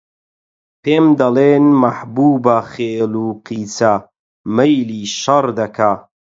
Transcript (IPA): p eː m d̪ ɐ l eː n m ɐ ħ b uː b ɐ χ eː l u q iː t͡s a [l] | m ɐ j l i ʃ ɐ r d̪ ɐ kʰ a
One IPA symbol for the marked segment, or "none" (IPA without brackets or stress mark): none